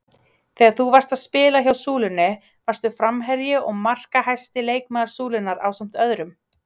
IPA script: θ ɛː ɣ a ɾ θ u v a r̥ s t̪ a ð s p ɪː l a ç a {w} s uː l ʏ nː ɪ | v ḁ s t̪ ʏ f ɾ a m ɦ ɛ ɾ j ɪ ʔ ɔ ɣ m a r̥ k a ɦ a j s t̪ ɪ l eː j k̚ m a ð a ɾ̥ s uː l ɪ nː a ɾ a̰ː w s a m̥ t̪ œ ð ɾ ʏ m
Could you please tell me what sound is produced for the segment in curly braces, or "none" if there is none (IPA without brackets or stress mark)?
w